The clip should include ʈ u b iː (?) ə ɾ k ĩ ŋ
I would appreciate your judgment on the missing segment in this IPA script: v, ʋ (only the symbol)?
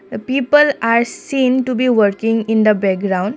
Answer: ʋ